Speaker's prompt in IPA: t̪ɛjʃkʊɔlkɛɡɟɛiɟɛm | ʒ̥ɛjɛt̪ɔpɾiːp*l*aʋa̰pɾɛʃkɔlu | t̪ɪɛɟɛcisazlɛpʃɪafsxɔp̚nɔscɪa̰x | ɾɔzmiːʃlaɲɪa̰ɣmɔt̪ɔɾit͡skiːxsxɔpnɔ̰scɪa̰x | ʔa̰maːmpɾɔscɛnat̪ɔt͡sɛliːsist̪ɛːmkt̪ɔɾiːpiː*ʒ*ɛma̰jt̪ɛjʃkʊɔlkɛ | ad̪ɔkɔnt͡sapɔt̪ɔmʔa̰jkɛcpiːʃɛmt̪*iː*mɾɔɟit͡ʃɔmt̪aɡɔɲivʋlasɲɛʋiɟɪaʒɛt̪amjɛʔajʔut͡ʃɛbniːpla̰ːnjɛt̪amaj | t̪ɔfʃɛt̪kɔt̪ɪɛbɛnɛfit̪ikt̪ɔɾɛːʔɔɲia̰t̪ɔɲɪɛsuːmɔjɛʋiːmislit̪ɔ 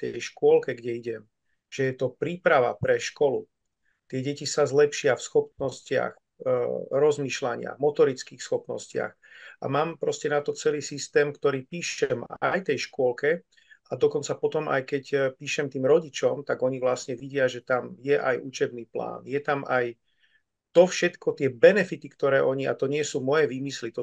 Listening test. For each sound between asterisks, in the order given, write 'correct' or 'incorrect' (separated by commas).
incorrect, incorrect, correct